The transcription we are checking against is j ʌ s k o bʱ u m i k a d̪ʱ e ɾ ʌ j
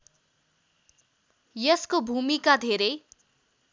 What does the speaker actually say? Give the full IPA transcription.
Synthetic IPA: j ʌ s k o bʱ u m i k a d̪ʱ e ɾ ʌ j